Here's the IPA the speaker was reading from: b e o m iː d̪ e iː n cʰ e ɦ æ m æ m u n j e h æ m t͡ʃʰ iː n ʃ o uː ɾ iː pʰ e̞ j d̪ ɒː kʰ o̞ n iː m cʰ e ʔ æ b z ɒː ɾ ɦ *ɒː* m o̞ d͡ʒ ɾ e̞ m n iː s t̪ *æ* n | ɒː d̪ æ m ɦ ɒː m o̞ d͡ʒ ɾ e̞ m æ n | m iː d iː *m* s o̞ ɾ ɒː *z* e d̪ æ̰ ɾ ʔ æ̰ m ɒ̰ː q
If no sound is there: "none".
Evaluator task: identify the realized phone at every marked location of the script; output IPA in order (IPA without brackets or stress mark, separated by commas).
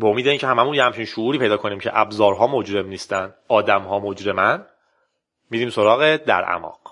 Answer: ɒː, æ, m, ɣ